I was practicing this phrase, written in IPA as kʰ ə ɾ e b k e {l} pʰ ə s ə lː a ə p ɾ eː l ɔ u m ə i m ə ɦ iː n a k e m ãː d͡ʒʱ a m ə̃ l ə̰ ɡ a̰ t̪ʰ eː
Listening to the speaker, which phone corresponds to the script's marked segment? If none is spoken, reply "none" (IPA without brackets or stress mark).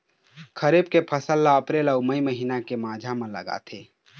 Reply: none